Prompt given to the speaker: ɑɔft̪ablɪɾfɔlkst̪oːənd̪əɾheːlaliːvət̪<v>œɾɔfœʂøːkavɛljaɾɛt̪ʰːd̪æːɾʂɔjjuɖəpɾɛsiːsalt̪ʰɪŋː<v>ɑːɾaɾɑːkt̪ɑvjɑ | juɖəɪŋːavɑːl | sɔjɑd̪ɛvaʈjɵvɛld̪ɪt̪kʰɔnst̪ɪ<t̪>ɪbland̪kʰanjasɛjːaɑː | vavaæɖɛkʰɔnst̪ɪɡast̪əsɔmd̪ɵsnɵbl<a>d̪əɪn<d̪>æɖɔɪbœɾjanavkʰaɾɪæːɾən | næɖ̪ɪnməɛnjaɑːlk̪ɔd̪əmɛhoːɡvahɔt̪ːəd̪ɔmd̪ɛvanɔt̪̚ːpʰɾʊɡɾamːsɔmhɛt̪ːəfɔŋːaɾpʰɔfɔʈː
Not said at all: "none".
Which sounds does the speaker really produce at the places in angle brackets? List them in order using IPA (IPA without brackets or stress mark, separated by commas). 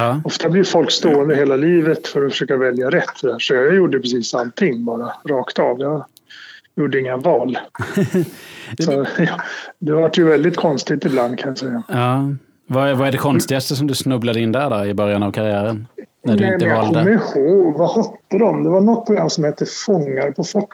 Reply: f, b, t̪, a, d̪